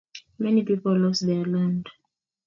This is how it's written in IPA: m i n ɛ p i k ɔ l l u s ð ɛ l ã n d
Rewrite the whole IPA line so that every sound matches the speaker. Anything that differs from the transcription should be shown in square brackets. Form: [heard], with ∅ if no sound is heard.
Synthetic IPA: m [ɛ] n [i] p i [p] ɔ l l [ɔ] s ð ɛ l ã n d